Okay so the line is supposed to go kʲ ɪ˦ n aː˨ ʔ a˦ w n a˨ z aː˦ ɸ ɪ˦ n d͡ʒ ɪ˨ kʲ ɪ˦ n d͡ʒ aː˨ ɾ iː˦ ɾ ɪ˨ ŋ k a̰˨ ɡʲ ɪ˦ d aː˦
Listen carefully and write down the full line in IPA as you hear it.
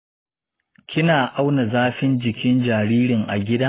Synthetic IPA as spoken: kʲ ɪ˦ n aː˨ ʔ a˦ w n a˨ z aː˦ ɸ ɪ˦ n d͡ʒ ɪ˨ kʲ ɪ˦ n d͡ʒ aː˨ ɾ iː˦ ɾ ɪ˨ ŋ ʔ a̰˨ ɡʲ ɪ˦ d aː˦